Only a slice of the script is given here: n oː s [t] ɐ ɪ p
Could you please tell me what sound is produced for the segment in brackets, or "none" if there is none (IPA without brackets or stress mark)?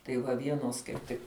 k